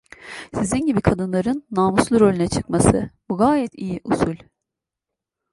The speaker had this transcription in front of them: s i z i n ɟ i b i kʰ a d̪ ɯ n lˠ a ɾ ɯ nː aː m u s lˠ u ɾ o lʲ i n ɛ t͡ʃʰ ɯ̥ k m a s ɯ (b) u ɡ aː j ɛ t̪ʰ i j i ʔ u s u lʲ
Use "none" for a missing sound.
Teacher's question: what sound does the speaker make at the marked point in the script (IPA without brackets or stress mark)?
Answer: b